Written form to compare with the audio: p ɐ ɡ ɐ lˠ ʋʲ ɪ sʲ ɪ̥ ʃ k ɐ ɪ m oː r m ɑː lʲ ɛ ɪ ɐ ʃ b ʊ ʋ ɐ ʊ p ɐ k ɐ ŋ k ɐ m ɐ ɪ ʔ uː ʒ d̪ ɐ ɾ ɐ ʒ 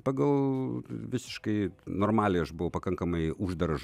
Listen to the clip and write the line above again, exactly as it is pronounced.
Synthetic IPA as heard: p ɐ ɡ ɐ lˠ ʋʲ ɪ sʲ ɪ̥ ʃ k ɐ ɪ n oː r m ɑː lʲ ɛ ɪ ɐ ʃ b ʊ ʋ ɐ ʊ p ɐ k ɐ ŋ k ɐ m ɐ ɪ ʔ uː ʒ d̪ ɐ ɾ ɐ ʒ